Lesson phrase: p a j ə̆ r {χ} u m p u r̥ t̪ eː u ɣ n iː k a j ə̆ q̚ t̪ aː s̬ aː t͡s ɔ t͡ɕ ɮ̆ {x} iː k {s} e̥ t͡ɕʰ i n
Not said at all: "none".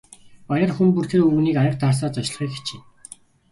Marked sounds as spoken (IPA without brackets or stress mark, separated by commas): x, χ, x